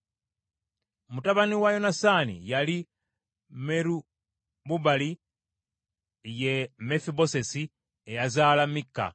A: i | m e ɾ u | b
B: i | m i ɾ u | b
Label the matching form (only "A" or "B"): A